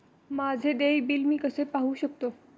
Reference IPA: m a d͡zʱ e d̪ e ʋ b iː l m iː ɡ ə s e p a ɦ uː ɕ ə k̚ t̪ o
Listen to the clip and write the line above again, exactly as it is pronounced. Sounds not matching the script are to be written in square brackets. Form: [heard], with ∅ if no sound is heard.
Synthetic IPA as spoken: m a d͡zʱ e d̪ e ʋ b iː l m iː [k] ə s e p a ɦ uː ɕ ə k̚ t̪ o